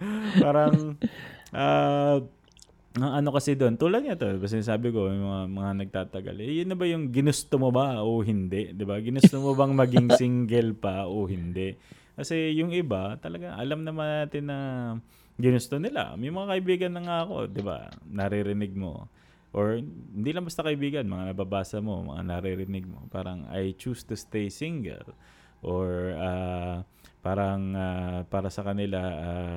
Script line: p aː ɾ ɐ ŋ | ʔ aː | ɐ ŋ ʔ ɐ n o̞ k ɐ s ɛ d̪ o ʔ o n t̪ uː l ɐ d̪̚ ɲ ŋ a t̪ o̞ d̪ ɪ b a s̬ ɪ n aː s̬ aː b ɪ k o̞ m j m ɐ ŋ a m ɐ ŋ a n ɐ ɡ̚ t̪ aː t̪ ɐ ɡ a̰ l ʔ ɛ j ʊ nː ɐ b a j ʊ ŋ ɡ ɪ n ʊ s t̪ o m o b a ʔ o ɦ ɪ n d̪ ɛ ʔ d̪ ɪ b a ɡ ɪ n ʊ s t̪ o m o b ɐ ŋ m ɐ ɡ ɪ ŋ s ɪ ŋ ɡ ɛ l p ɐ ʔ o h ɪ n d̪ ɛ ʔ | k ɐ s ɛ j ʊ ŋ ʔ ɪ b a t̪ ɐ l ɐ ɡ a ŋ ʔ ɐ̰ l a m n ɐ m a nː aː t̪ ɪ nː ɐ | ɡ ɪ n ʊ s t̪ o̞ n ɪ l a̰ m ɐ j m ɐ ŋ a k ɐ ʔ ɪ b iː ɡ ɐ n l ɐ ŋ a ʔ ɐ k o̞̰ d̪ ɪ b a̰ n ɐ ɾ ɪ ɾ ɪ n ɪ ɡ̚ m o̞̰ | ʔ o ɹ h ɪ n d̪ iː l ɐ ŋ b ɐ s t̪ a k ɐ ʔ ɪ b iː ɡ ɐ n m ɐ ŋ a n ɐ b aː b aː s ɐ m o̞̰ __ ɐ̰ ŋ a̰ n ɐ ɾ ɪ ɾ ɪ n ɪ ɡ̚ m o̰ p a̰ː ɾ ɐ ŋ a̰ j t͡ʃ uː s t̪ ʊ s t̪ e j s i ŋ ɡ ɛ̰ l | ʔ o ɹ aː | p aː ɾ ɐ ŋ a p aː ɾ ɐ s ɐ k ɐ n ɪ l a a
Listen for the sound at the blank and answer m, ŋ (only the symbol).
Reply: m